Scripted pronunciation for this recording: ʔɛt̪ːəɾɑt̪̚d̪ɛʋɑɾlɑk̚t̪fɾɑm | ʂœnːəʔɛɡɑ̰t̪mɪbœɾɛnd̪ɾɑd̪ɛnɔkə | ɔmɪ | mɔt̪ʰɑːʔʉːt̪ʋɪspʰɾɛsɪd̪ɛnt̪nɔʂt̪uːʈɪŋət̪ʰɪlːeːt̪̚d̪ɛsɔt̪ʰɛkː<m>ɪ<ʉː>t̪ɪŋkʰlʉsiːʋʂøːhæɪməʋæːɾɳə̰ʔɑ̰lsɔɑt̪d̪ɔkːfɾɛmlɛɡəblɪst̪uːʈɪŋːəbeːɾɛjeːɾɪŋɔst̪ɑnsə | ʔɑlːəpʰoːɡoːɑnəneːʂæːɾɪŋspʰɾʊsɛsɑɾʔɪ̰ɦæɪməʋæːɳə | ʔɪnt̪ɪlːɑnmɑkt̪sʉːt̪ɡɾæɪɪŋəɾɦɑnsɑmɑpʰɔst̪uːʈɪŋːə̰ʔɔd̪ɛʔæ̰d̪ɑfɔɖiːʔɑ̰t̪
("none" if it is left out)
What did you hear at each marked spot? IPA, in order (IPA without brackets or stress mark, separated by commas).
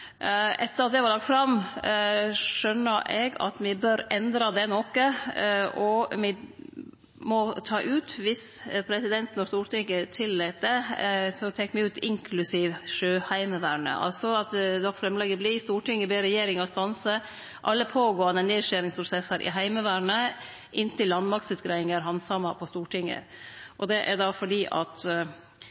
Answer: m, ʉː